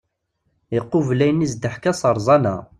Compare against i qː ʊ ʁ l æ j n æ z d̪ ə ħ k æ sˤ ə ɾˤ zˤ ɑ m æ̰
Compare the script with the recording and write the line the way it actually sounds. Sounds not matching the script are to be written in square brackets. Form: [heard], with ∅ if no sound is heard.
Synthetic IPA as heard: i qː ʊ [v] l æ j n [i] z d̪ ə ħ k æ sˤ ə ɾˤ zˤ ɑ [n] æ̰

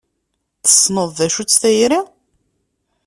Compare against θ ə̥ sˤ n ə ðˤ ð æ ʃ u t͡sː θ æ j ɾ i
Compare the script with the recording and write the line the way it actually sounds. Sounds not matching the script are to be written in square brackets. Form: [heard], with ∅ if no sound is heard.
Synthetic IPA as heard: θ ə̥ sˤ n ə ðˤ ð æ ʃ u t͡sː θ æ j ɾ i

